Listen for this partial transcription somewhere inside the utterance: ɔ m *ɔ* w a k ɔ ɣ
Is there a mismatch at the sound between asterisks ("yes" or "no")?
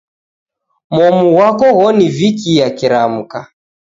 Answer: yes